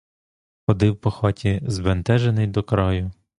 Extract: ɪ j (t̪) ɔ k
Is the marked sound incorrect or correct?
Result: incorrect